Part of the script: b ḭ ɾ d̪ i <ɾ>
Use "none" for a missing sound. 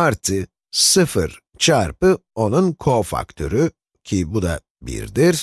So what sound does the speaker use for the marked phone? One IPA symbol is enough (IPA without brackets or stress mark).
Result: ɾ